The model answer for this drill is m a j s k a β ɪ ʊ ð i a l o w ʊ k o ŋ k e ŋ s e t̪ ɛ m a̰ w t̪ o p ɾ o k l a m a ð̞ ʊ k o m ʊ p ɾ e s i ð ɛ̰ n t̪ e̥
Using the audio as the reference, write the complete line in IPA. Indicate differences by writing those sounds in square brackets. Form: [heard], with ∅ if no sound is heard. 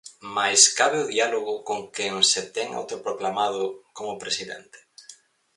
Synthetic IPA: m a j s k a β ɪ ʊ ð i a l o [ɣ] ʊ k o ŋ k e ŋ s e t̪ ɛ [ŋ] a̰ w t̪ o p ɾ o k l a m a ð̞ ʊ k o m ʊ p ɾ e s i ð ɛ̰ n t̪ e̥